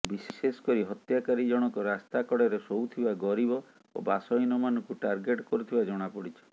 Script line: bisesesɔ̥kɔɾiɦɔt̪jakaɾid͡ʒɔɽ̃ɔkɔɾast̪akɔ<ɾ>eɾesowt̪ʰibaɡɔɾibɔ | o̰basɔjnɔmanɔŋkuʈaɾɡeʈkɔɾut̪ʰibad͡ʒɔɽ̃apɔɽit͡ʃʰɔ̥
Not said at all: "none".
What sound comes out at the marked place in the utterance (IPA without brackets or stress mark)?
ɽ